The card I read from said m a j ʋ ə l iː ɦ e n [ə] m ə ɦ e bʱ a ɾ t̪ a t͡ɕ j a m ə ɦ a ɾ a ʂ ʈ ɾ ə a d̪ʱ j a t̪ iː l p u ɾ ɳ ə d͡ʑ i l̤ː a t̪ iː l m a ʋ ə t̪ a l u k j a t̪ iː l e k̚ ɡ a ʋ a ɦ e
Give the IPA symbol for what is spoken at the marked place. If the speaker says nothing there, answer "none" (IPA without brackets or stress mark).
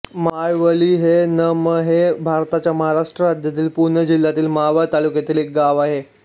ə